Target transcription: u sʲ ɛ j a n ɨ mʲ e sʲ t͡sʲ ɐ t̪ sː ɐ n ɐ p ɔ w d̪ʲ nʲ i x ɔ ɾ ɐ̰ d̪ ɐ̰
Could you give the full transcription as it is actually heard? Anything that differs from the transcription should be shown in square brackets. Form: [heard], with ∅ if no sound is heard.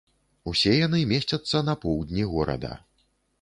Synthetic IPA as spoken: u sʲ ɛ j a n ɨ mʲ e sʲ t͡sʲ ɐ t̪ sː ɐ n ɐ p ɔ w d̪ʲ nʲ i [ɣ] ɔ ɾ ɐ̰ d̪ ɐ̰

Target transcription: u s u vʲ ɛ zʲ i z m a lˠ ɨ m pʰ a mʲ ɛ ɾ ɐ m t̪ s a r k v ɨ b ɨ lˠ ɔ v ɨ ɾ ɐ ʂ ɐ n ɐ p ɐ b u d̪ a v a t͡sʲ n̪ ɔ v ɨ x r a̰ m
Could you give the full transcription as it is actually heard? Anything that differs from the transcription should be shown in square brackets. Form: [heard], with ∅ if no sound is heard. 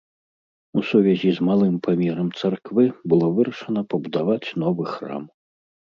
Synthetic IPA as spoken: u s u vʲ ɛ zʲ i z m a lˠ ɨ m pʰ a mʲ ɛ ɾ ɐ m t̪ s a r k v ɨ b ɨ lˠ ɔ v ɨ ɾ ɐ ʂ ɐ n ɐ p ɐ b u d̪ a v a t͡sʲ n̪ ɔ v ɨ x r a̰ m

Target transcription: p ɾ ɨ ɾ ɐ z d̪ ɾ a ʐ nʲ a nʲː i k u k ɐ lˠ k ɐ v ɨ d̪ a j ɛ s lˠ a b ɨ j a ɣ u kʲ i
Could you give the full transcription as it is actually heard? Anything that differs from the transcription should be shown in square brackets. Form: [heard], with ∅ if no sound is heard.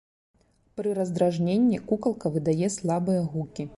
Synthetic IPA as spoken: p ɾ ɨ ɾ ɐ z d̪ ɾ a ʐ nʲ [e] nʲː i k u k ɐ lˠ k ɐ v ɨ d̪ a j ɛ s lˠ a b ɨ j [ɐ] ɣ u kʲ i

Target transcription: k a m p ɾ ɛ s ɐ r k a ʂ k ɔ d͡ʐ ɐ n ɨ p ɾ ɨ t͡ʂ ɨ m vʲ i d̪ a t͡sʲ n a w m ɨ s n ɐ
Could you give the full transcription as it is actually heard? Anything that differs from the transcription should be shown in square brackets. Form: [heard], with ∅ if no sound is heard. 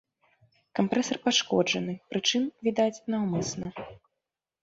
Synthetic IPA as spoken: k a m p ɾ ɛ s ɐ r [p] a ʂ k ɔ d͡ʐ ɐ n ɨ p ɾ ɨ t͡ʂ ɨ m vʲ i d̪ a t͡sʲ n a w m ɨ s n ɐ

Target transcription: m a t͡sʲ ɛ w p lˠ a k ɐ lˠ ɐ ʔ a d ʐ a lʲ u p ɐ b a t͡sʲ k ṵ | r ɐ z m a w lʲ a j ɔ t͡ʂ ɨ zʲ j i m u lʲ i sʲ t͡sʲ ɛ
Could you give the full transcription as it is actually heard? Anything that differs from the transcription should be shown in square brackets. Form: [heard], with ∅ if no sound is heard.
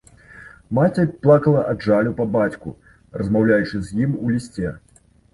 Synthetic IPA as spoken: m a t͡sʲ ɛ [∅] p lˠ a k ɐ lˠ ɐ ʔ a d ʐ a lʲ u p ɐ b a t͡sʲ k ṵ | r ɐ z m a w lʲ a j [u] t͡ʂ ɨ zʲ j i m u lʲ i sʲ t͡sʲ ɛ

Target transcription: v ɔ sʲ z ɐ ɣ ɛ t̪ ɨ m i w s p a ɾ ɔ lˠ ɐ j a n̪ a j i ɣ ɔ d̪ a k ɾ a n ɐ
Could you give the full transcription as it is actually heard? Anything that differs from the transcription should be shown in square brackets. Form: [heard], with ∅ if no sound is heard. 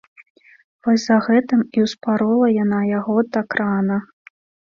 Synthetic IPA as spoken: v ɔ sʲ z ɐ ɣ ɛ t̪ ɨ m i w s p a ɾ ɔ lˠ ɐ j a n̪ a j [a] ɣ ɔ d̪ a k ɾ a n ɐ

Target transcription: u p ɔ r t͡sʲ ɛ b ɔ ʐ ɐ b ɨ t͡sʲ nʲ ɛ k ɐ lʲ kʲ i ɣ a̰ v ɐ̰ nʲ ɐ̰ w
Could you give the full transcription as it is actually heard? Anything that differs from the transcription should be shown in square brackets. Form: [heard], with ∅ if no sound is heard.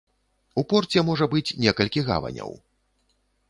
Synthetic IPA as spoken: u p ɔ r t͡sʲ ɛ [m] ɔ ʐ ɐ b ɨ t͡sʲ nʲ ɛ k ɐ lʲ kʲ i ɣ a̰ v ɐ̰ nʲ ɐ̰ w

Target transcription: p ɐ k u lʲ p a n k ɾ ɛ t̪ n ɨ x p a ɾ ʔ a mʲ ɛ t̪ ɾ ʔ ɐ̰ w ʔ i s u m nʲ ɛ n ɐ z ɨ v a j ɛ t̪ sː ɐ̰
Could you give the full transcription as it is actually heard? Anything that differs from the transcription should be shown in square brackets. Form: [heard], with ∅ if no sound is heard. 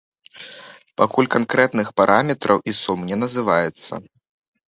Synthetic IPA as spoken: p [a] k u lʲ [k] a n k ɾ ɛ t̪ n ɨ x p a ɾ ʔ a mʲ ɛ t̪ ɾ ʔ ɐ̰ w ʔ i s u m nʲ ɛ n ɐ z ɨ v a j ɛ t̪ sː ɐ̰

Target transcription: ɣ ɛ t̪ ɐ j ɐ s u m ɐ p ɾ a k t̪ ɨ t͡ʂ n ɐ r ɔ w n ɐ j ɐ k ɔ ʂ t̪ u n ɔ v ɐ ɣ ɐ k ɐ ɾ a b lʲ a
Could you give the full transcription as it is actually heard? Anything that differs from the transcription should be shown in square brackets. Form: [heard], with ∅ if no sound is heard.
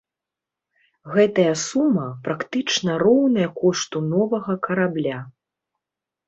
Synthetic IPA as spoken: ɣ ɛ t̪ ɐ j ɐ s u m ɐ p ɾ a k t̪ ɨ t͡ʂ n ɐ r ɔ w n ɐ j ɐ k ɔ ʂ t̪ u n ɔ v ɐ ɣ ɐ k ɐ ɾ a b lʲ a

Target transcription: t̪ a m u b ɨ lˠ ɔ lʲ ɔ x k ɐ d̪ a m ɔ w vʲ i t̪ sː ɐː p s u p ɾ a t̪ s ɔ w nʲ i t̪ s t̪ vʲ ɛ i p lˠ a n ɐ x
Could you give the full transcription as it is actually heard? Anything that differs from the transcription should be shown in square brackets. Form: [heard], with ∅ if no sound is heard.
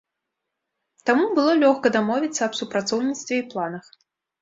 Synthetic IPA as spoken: t̪ a m u b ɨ lˠ ɔ lʲ ɔ x k ɐ d̪ a m ɔ [∅] vʲ i t̪ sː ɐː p s u p ɾ a t̪ s ɔ w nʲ i t̪ s t̪ vʲ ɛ i p lˠ a n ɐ x

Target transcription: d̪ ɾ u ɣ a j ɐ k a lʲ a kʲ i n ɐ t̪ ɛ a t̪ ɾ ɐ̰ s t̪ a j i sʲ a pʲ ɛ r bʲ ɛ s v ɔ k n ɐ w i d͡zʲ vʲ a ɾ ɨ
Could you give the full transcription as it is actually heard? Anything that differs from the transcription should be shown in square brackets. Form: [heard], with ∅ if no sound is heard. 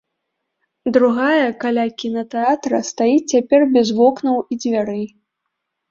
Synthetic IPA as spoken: d̪ ɾ u ɣ a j ɐ k a lʲ a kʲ i n ɐ t̪ ɛ a t̪ ɾ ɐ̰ s t̪ a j i [t͡sʲ] a pʲ ɛ r bʲ ɛ [z] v ɔ k n ɐ w i d͡zʲ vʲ a ɾ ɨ

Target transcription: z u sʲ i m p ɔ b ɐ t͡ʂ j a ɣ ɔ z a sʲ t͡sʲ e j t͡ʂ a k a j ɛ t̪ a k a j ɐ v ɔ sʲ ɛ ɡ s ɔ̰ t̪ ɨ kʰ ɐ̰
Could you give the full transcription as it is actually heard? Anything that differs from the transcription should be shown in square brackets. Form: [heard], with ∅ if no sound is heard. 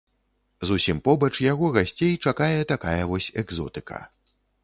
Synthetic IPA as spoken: z u sʲ i m p ɔ b ɐ t͡ʂ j a ɣ ɔ [ɣ] a sʲ t͡sʲ e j t͡ʂ a k a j ɛ t̪ a k a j ɐ v ɔ sʲ ɛ ɡ [z] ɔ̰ t̪ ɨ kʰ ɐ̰

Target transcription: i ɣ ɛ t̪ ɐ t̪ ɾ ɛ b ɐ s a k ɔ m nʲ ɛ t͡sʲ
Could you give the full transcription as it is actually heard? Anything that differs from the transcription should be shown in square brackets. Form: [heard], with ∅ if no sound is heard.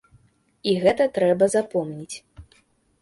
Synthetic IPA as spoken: i ɣ ɛ t̪ ɐ t̪ ɾ ɛ b ɐ [z] a [p] ɔ m nʲ [i] t͡sʲ

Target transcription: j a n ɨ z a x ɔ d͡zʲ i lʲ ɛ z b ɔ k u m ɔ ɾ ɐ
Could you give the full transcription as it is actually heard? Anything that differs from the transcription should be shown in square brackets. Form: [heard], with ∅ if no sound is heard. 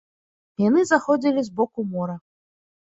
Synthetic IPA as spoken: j a n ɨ z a x ɔ d͡zʲ i lʲ [i] z b ɔ k u m ɔ ɾ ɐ

